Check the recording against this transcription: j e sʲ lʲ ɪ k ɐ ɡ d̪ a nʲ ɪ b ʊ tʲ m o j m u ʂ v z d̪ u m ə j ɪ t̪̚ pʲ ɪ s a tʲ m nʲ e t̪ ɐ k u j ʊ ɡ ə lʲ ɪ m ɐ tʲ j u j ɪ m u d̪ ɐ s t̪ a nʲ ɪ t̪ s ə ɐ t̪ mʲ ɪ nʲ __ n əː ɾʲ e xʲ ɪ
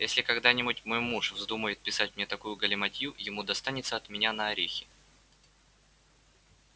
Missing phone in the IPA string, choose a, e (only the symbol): a